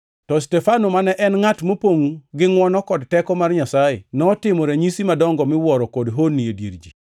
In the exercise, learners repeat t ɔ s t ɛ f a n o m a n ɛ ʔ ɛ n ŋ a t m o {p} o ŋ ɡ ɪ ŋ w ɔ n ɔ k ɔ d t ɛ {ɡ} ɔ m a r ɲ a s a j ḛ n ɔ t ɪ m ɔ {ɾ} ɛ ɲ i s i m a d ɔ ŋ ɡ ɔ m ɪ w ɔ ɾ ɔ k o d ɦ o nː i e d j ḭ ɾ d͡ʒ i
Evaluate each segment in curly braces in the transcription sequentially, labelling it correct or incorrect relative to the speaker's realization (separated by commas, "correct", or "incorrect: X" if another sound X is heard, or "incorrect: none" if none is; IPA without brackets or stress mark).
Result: correct, incorrect: k, correct